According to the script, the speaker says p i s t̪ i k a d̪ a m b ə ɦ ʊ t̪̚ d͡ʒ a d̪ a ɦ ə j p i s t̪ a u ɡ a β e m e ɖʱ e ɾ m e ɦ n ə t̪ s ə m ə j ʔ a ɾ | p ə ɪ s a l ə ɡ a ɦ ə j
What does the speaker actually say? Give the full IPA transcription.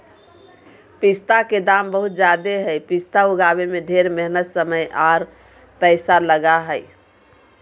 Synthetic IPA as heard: p i s t̪ a k e d̪ a m b ə ɦ u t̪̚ d͡ʒ a d̪ e ɦ ə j p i s t̪ a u ɡ a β e m e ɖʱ e ɾ m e ɦ n ə t̪ s ə m ə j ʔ a ɾ | p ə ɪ s a l ə ɡ a ɦ ə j